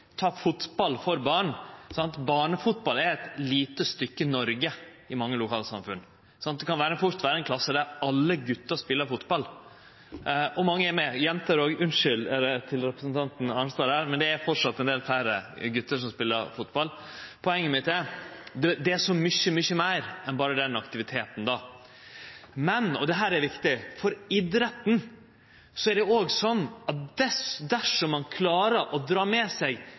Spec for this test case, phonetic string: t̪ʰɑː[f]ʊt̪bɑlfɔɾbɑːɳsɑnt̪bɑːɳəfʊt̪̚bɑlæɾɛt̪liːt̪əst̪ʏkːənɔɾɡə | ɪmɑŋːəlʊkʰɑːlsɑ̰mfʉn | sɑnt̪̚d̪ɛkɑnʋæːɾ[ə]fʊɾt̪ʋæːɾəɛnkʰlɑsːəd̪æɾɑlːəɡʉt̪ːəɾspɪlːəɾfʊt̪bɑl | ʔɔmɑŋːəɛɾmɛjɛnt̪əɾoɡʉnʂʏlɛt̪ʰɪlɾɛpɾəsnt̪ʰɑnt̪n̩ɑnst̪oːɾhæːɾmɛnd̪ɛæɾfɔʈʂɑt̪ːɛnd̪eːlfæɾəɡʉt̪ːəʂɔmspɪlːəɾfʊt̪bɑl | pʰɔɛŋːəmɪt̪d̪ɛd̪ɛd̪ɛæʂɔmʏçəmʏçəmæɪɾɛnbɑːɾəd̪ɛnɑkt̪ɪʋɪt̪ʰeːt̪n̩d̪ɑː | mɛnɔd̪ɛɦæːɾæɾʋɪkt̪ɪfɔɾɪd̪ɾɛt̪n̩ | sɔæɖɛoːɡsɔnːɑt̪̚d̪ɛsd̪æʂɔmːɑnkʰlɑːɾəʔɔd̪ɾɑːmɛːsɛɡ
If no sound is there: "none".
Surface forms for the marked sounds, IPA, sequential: f, ə

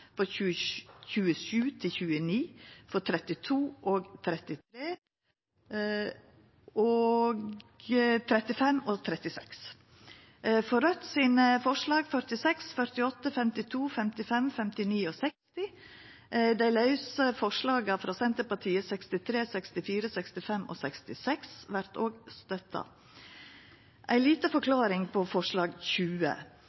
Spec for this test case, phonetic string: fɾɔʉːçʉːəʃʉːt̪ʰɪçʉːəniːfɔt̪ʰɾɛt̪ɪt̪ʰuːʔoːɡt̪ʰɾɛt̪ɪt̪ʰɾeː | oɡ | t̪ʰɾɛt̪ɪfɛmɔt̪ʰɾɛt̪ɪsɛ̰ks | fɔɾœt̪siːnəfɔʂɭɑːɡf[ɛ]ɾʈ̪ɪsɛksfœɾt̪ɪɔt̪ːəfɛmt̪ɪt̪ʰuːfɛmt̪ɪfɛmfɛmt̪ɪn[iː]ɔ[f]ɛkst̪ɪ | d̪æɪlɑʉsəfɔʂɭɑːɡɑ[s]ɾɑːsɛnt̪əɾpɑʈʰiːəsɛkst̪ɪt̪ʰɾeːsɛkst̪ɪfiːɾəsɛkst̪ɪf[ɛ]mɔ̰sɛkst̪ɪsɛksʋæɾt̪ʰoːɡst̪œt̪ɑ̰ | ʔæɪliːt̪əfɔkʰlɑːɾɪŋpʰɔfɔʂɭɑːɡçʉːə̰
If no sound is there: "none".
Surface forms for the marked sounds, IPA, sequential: œ, iː, s, f, ɛ

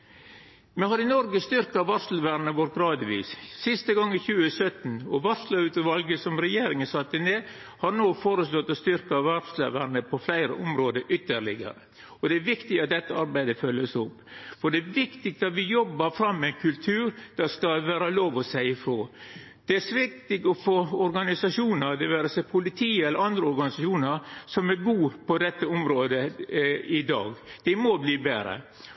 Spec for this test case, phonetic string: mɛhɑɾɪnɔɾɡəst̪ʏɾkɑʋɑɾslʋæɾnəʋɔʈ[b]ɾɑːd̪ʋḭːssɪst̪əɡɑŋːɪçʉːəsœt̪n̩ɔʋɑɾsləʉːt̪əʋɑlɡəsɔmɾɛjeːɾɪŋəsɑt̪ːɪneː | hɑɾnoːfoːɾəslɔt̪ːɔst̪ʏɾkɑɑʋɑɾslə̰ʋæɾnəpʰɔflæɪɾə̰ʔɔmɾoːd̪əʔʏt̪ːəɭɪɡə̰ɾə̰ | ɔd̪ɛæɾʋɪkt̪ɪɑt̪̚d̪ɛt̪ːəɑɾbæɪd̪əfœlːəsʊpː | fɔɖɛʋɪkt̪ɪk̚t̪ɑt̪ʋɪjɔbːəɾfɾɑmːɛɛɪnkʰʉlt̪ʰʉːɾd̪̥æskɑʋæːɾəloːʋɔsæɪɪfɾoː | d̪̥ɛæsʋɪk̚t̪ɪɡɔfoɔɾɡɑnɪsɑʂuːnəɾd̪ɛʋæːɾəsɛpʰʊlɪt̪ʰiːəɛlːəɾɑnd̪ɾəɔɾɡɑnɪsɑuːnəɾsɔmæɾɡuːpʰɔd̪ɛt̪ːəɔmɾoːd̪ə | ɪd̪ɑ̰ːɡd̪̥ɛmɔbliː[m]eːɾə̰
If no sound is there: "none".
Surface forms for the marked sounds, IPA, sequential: ɡ, b

